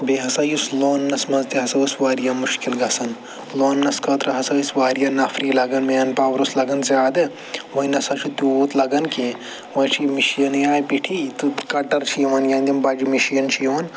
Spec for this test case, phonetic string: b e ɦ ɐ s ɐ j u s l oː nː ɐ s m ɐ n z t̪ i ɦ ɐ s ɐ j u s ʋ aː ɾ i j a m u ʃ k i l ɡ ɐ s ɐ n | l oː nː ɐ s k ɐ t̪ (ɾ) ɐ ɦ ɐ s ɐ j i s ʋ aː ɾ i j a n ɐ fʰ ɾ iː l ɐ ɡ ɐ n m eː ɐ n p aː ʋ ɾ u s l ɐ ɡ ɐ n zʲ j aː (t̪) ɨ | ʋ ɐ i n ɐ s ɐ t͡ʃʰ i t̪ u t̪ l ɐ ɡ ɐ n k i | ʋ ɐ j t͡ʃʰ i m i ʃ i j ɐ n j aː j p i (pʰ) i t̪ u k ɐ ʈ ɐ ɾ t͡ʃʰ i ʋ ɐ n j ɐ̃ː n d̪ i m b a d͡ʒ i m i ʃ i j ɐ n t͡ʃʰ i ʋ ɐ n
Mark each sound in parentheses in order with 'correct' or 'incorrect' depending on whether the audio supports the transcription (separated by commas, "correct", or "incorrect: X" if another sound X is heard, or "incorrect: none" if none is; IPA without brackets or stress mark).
correct, incorrect: d̪, incorrect: ʈʰ